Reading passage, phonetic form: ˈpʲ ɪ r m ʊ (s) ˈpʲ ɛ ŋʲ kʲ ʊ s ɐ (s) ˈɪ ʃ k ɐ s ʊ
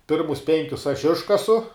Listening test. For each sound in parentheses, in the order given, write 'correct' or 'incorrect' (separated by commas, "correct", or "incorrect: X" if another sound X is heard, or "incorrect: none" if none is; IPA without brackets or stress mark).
correct, incorrect: ʃ